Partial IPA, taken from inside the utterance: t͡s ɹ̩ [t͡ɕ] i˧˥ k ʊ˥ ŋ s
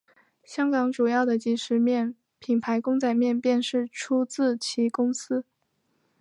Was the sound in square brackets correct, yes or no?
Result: no